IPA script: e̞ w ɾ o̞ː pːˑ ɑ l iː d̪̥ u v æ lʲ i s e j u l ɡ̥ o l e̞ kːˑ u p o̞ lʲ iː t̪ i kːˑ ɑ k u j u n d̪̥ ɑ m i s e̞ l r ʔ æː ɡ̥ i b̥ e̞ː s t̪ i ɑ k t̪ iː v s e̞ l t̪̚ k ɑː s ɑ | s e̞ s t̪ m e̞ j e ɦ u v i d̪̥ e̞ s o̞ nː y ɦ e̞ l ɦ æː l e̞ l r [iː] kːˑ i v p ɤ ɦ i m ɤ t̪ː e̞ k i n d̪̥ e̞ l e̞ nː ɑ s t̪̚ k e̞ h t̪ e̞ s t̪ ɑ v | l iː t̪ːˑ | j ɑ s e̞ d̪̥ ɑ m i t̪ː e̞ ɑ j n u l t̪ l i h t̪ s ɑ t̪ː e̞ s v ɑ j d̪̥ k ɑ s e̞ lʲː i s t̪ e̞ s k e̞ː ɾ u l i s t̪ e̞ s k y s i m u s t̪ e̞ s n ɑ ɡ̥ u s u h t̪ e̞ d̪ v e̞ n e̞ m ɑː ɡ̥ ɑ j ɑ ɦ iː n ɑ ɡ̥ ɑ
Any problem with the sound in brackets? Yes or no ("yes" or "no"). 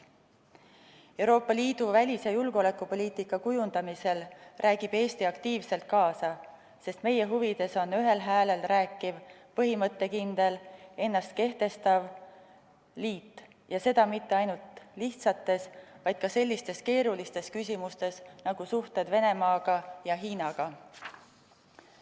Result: yes